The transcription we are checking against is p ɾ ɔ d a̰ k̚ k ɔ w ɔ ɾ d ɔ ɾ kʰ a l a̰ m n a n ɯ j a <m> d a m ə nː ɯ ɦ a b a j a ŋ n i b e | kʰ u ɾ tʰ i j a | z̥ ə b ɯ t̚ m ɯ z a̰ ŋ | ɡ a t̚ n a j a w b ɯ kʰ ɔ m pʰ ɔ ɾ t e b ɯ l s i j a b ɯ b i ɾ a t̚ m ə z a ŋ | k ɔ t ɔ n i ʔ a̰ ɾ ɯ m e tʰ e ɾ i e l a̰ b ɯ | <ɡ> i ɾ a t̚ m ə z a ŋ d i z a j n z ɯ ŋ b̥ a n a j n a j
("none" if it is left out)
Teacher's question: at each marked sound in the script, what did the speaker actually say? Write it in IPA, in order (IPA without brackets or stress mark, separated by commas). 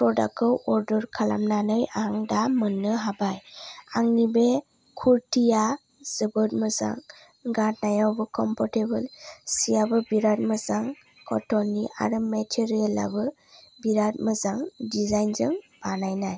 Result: ŋ, b